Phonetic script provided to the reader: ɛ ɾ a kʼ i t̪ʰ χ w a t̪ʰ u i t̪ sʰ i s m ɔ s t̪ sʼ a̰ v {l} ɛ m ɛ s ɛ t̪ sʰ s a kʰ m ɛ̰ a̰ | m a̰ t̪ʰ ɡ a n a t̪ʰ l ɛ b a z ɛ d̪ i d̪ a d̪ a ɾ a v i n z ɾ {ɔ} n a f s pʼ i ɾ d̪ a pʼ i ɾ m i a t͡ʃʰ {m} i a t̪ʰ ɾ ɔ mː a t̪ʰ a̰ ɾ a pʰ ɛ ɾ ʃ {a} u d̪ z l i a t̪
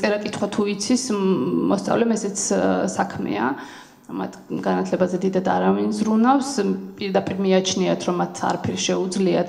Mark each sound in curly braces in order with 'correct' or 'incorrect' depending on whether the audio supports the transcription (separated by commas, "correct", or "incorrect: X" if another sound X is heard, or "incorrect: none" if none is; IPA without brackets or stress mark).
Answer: correct, incorrect: u, incorrect: n, incorrect: ɛ